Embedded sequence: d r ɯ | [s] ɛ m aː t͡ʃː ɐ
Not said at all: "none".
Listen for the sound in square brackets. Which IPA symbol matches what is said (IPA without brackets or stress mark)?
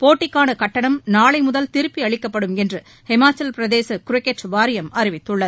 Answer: h